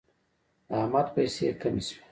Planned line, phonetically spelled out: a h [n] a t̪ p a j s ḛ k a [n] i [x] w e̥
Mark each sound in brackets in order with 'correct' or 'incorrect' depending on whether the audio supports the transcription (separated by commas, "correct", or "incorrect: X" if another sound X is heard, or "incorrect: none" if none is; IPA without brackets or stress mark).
incorrect: m, incorrect: m, incorrect: s